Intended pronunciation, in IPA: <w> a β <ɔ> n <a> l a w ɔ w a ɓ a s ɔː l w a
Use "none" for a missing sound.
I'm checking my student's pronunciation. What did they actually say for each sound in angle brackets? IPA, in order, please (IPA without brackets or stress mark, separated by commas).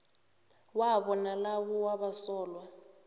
w, ɔ, a